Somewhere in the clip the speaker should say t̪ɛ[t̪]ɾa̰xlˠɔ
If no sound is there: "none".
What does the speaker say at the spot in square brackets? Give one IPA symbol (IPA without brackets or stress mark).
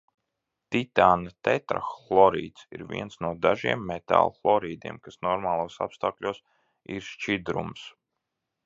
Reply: t̪